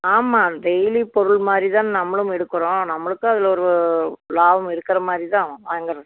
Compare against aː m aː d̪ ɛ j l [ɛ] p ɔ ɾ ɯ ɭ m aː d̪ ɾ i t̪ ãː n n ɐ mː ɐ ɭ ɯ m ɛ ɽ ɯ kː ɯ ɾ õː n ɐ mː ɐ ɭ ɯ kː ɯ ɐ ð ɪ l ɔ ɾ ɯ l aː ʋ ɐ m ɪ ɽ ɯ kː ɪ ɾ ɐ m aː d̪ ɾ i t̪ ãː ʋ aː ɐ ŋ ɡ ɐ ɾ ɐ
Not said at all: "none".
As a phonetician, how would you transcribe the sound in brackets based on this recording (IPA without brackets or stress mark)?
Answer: i